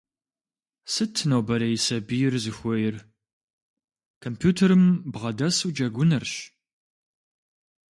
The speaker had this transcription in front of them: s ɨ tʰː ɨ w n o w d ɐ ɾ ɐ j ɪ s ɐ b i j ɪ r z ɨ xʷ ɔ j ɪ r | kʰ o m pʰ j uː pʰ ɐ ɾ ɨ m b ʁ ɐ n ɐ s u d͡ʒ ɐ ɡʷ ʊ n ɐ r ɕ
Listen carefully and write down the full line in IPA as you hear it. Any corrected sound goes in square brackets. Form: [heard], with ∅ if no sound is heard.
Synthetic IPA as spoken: s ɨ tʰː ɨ [∅] n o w [b] ɐ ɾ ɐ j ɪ s ɐ b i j ɪ r z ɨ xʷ ɔ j ɪ r | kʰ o m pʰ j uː [tʰ] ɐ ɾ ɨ m b ʁ ɐ [d] ɐ s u d͡ʒ ɐ ɡʷ ʊ n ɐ r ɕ